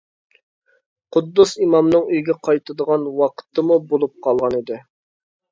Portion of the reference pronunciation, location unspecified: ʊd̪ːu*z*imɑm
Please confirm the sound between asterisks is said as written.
no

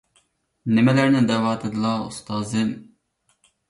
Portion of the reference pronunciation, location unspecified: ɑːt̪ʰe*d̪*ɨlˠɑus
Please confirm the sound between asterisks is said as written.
yes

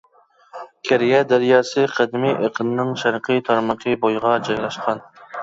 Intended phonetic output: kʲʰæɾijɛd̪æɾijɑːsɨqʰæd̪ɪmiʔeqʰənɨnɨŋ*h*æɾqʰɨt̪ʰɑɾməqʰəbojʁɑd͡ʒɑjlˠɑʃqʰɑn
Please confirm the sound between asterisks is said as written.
no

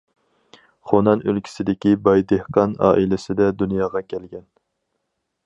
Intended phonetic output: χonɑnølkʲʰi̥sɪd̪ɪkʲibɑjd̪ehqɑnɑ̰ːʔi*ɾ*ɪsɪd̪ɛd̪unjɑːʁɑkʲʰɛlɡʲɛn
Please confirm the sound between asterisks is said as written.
no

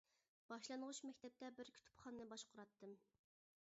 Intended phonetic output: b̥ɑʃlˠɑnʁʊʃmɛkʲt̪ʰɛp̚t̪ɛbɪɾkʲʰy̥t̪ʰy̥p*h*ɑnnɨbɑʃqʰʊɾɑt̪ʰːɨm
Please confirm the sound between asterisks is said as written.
no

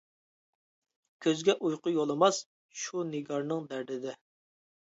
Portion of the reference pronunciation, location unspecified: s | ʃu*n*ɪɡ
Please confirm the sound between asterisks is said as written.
yes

